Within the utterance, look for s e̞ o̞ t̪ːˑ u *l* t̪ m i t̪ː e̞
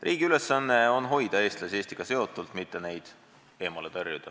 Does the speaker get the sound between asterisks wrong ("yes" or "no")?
no